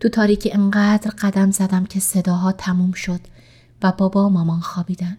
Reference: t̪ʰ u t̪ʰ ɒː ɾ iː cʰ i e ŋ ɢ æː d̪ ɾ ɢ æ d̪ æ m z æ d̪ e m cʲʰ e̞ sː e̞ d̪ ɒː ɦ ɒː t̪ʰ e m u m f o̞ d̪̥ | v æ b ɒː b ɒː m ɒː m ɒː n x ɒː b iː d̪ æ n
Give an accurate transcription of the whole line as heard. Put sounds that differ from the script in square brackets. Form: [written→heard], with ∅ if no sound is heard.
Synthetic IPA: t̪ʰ u t̪ʰ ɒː ɾ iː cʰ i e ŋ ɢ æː d̪ ɾ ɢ æ d̪ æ m z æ d̪ [e→æ] m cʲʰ e̞ [sː→s] e̞ d̪ ɒː ɦ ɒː t̪ʰ [e→æ] m u m [f→ʃ] o̞ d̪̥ | v æ b ɒː b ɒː m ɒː m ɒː n x ɒː b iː d̪ æ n